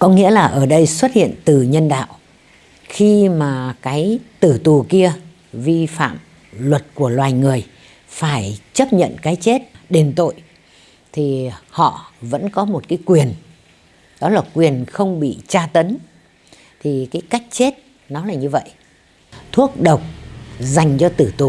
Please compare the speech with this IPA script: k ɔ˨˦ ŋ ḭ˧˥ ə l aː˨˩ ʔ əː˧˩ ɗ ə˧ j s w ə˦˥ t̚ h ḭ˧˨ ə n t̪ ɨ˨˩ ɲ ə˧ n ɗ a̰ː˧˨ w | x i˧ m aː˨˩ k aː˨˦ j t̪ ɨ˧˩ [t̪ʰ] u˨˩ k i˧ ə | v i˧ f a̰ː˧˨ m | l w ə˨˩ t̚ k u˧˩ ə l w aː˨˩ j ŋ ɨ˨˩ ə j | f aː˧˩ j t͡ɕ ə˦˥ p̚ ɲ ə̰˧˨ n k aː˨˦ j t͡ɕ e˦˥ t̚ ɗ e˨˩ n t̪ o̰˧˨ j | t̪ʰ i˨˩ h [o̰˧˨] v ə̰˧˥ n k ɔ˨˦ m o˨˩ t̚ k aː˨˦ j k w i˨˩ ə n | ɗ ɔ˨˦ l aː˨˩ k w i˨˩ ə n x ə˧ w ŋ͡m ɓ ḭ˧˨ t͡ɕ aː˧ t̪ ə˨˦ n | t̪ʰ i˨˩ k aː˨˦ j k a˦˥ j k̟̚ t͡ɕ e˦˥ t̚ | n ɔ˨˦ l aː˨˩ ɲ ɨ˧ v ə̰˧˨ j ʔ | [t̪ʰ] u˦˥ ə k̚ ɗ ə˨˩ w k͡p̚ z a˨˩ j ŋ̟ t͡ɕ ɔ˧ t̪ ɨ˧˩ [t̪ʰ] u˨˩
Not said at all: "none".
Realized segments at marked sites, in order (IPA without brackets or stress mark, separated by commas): t̪, ɔ̰˧˨, t̪ʰ, t̪